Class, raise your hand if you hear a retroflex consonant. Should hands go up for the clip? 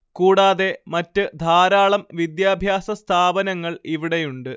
yes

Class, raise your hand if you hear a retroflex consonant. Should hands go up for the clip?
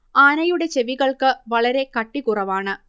yes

